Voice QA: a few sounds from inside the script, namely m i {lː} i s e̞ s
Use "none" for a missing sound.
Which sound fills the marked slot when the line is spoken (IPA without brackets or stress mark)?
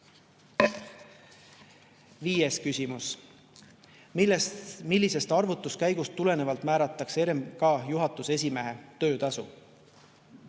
lː